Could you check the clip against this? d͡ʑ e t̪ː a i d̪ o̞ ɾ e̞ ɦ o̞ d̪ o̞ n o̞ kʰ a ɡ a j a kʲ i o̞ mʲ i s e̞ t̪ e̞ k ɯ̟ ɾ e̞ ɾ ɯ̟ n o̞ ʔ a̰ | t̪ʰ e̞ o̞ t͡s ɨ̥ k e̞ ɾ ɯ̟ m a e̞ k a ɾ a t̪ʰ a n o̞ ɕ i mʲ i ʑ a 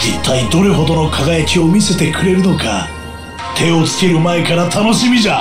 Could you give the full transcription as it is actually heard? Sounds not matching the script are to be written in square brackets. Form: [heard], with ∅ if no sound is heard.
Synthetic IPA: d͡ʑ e t̪ː a i d̪ o̞ ɾ e̞ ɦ o̞ d̪ o̞ n o̞ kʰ a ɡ a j a kʲ i o̞ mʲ i s e̞ t̪ e̞ k ɯ̟ ɾ e̞ ɾ ɯ̟ n o̞ [k] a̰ | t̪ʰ e̞ o̞ t͡s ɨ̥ k e̞ ɾ ɯ̟ m a e̞ k a ɾ a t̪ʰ a n o̞ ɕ i mʲ i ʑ a

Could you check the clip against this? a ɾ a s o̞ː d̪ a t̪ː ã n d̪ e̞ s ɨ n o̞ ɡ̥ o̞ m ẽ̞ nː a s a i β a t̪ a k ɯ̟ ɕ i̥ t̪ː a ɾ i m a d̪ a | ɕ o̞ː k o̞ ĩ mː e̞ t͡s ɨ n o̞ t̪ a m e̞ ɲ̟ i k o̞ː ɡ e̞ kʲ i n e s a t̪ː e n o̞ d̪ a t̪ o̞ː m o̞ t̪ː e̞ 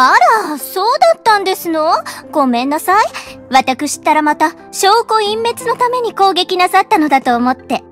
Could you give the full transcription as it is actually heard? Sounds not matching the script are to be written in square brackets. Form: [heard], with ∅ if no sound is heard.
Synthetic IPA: a ɾ a s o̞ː d̪ a t̪ː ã n d̪ e̞ s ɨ n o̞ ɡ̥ o̞ m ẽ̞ nː a s a i β a t̪ a k ɯ̟ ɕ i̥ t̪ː a ɾ [a] m a [t̪] a | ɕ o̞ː k o̞ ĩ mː e̞ t͡s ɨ n o̞ t̪ a m e̞ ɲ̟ i k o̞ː ɡ e̞ kʲ i n [a] s a t̪ː [a] n o̞ d̪ a t̪ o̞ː m o̞ t̪ː e̞

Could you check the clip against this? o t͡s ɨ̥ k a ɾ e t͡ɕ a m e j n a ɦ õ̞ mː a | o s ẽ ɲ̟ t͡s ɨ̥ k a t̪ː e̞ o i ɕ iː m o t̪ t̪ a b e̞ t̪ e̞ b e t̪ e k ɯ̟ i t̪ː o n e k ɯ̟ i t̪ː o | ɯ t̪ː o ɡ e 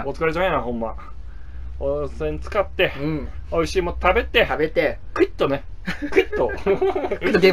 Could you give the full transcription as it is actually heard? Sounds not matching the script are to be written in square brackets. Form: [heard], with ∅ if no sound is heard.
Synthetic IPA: o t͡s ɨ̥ k a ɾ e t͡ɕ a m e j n a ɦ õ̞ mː a | o s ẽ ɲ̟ t͡s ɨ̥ k a t̪ː e̞ o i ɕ iː m o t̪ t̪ a b e̞ t̪ e̞ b e t̪ e k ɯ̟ i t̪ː o n e k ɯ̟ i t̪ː o | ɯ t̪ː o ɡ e

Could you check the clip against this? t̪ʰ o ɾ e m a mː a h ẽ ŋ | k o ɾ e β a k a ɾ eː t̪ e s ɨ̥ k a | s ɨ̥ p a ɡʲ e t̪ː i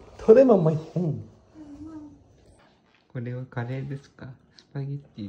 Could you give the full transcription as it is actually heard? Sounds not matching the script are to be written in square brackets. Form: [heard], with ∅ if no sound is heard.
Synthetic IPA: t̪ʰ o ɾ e m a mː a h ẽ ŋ | k o ɾ e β a k a ɾ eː [d̪] e s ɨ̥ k a | s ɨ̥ p a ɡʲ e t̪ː i

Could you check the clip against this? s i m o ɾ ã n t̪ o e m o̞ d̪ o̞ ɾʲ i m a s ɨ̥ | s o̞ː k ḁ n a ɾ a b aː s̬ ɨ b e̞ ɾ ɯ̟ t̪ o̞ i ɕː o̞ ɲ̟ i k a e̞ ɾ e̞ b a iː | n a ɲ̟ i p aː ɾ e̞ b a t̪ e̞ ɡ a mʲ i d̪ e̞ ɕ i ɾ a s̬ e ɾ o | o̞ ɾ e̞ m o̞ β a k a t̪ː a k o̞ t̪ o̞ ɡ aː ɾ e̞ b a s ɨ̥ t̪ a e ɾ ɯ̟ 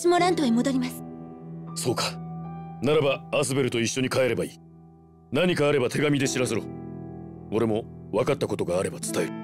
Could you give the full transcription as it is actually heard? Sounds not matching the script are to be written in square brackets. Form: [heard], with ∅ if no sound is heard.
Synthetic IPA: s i m o ɾ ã n t̪ o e m o̞ d̪ o̞ ɾʲ i m a s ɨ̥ | s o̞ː k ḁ n a ɾ a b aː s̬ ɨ b e̞ ɾ ɯ̟ t̪ o̞ i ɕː o̞ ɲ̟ i k a e̞ ɾ e̞ b a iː | n a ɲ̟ i [k] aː ɾ e̞ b a t̪ e̞ ɡ a mʲ i d̪ e̞ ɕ i ɾ a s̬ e ɾ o | o̞ ɾ e̞ m o̞ β a k a t̪ː a k o̞ t̪ o̞ ɡ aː ɾ e̞ b a [t͡s] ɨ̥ t̪ a e ɾ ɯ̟

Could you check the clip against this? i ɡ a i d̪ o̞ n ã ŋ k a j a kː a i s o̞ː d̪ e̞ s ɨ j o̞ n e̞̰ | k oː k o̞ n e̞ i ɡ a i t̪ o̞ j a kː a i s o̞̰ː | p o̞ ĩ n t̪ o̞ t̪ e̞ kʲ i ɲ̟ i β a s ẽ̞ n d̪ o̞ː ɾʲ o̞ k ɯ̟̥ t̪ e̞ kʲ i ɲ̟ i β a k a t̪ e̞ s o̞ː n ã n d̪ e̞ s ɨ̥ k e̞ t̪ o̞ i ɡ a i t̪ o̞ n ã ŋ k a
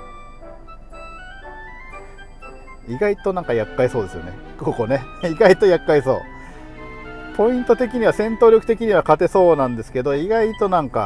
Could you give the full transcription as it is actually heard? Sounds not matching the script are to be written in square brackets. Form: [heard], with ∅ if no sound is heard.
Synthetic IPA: i ɡ a i [t̪] o̞ n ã ŋ k a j a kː a i s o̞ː d̪ e̞ s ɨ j o̞ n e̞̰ | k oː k o̞ n e̞ i ɡ a i t̪ o̞ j a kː a i s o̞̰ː | p o̞ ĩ n t̪ o̞ t̪ e̞ kʲ i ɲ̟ i β a s ẽ̞ n [t̪] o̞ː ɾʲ o̞ k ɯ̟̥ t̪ e̞ kʲ i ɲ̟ i β a k a t̪ e̞ s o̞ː n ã n d̪ e̞ s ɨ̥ k e̞ [d̪] o̞ i ɡ a i t̪ o̞ n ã ŋ k a

